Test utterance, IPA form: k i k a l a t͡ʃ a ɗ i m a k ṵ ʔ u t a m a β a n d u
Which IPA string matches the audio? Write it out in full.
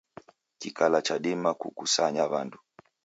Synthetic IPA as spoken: k i k a l a t͡ʃ a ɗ i m a k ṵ k u s a ɲ a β a n d u